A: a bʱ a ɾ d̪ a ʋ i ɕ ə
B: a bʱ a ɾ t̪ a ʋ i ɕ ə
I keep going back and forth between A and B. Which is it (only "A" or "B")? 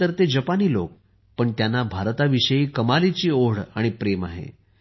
B